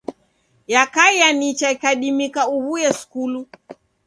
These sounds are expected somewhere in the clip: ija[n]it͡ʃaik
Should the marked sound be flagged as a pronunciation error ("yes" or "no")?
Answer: no